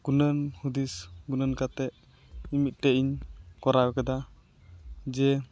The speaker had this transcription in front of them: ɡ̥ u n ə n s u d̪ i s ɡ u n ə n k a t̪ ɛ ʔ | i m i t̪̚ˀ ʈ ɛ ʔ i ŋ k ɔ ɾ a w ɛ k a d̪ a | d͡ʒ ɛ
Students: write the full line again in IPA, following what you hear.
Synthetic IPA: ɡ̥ u n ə n h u d̪ i s ɡ u n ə n k a t̪ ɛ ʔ | i m i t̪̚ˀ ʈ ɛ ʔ i ɲ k ɔ ɾ a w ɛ k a d̪ a | d͡ʒ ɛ